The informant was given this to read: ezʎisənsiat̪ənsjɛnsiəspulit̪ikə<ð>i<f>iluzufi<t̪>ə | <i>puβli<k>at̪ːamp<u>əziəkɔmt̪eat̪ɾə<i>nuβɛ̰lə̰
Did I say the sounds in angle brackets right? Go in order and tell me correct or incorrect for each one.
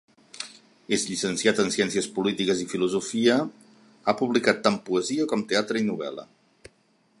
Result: incorrect: z, correct, incorrect: none, incorrect: a, correct, correct, correct

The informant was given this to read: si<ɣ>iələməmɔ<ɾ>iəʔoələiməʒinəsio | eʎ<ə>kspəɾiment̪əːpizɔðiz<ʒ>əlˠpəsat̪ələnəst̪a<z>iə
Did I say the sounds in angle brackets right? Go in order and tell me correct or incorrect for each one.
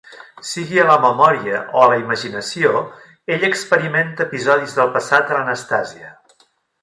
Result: correct, correct, correct, incorrect: ð, correct

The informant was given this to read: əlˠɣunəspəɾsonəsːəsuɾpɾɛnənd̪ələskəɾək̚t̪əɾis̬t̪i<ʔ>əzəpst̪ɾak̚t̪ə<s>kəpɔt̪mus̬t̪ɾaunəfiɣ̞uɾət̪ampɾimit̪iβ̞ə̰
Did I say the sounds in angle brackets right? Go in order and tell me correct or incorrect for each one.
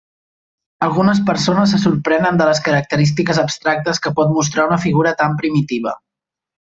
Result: incorrect: k, correct

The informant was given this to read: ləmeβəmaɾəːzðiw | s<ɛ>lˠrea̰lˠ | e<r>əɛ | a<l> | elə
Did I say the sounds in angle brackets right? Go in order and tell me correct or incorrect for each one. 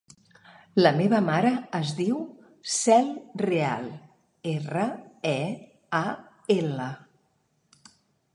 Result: correct, correct, incorrect: none

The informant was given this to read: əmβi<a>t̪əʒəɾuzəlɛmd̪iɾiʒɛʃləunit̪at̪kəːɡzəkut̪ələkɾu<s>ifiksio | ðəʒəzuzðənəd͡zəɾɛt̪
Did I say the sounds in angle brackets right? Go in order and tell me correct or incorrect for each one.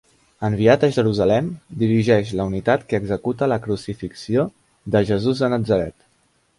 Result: correct, correct

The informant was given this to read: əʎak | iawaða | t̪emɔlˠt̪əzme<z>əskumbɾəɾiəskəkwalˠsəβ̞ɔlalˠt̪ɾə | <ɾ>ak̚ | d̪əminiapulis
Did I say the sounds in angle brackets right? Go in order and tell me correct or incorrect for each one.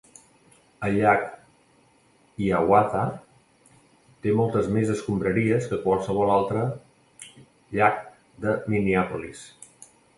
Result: correct, incorrect: ʎ

